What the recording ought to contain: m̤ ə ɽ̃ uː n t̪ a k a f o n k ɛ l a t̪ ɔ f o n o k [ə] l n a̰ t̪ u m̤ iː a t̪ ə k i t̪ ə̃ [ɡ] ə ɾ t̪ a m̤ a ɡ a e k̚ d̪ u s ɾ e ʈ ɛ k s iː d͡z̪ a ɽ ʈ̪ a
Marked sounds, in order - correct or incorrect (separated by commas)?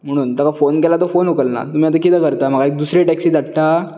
correct, incorrect